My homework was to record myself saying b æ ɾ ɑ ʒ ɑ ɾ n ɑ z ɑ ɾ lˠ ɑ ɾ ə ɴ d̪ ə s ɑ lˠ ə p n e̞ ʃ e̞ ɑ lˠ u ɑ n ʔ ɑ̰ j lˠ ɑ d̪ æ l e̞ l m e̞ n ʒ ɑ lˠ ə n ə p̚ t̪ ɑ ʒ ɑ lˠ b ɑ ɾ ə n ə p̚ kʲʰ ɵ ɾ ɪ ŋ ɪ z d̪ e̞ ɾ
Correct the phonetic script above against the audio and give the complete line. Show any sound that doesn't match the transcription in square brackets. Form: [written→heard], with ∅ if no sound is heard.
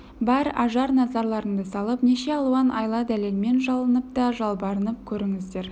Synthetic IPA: b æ ɾ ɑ ʒ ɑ ɾ n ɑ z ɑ ɾ lˠ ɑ ɾ ə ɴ d̪ ə s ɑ lˠ ə p n e̞ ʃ e̞ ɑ lˠ u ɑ n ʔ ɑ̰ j lˠ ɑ d̪ æ l e̞ l m e̞ n ʒ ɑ lˠ ə n ə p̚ t̪ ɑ ʒ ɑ lˠ b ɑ ɾ ə n ə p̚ kʲʰ ɵ ɾ ɪ ŋ ɪ z d̪ e̞ ɾ

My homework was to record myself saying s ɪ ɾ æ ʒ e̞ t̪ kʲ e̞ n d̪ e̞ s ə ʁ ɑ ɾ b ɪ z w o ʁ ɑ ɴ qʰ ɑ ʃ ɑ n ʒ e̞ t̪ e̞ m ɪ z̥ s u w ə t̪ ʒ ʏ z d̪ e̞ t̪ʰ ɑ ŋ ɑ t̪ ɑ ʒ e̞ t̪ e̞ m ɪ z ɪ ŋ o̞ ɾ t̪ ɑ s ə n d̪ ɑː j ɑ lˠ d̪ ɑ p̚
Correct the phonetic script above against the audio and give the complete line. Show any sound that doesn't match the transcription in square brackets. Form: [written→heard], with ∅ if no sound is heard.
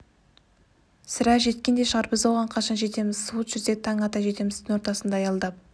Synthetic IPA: s ɪ ɾ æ ʒ e̞ t̪ kʲ e̞ n d̪ e̞ [s→ʃ] ə ʁ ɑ ɾ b ɪ z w o ʁ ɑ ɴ qʰ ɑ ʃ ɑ n ʒ e̞ t̪ e̞ m ɪ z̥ s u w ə t̪ ʒ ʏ z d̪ e̞ t̪ʰ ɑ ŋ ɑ t̪ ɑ ʒ e̞ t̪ e̞ m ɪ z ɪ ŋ o̞ ɾ t̪ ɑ s ə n d̪ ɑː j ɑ lˠ d̪ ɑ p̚

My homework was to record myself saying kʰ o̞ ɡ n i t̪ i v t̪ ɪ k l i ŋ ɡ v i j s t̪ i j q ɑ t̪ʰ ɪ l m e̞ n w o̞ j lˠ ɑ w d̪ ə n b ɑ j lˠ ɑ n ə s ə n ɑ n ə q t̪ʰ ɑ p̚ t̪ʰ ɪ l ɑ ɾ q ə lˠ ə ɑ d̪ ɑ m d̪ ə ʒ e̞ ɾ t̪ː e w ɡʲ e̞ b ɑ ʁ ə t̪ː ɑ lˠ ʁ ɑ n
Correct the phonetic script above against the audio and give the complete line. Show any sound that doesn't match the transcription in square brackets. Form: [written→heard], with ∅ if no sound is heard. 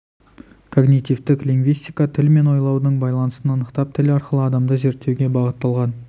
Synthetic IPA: kʰ o̞ ɡ n i t̪ i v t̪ ɪ k l i ŋ ɡ v i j s t̪ i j [q→k] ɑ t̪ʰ ɪ l m e̞ n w o̞ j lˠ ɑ w d̪ ə [n→ɴ] b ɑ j lˠ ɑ n ə s ə n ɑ n ə q [t̪ʰ→t̪] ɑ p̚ t̪ʰ ɪ l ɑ ɾ q ə lˠ ə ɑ d̪ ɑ m d̪ ə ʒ e̞ ɾ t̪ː e w ɡʲ e̞ b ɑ ʁ ə t̪ː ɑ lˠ ʁ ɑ n

